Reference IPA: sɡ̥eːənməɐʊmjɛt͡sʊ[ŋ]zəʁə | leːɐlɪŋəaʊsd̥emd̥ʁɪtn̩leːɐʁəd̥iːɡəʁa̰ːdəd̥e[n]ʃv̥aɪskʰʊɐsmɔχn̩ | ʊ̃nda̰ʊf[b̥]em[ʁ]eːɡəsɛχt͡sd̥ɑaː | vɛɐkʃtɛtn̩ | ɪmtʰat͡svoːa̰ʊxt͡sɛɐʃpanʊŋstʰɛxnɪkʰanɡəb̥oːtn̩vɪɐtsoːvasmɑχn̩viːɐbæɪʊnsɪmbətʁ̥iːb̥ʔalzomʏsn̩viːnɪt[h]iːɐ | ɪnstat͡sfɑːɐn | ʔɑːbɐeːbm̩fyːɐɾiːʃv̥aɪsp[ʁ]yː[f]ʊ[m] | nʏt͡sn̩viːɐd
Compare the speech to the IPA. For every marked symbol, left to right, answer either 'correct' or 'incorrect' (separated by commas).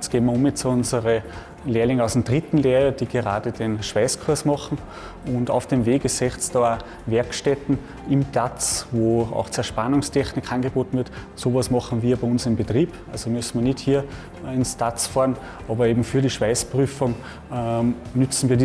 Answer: incorrect, correct, incorrect, incorrect, correct, correct, correct, incorrect